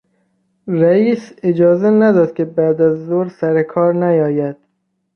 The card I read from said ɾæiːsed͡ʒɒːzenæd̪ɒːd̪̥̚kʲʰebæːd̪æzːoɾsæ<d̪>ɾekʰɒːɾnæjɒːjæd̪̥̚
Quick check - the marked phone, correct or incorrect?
incorrect: none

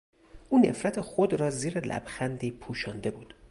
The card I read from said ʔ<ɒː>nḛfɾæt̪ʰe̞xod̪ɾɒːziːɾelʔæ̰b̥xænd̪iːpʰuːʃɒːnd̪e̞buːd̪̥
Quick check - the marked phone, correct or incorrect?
incorrect: uː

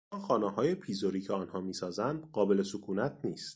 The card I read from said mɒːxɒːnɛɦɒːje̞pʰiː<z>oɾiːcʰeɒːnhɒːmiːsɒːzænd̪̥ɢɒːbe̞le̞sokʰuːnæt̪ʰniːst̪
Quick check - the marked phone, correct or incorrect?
correct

